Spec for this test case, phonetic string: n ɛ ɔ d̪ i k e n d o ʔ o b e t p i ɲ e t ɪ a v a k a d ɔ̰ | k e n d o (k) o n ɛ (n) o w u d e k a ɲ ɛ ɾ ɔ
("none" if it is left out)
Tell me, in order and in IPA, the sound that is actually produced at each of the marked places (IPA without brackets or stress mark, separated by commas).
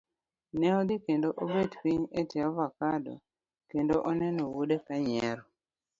ʔ, n